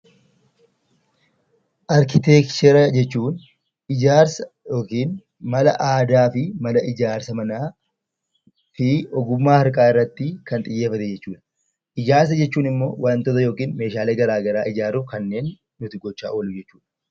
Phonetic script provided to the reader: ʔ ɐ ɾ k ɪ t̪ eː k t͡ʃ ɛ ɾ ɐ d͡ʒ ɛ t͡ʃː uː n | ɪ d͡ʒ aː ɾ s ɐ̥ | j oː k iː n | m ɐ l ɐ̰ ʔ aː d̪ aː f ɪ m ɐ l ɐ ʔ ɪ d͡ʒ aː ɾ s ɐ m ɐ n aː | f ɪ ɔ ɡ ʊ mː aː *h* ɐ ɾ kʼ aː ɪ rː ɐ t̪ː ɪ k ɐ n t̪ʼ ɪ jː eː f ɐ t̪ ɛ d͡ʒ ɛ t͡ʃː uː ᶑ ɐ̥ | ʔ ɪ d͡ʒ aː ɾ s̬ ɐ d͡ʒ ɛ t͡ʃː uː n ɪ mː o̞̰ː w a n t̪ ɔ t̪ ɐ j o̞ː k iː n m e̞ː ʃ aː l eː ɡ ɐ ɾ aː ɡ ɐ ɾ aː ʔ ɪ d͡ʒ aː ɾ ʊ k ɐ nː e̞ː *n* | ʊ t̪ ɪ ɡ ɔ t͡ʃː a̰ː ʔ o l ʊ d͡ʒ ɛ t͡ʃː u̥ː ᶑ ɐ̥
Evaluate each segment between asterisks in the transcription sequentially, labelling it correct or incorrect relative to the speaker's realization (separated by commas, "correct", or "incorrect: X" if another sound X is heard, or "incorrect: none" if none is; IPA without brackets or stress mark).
correct, incorrect: nː